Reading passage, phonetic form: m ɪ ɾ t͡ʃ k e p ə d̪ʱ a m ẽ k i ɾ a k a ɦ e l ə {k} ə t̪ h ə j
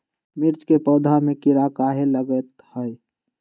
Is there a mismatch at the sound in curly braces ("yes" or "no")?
yes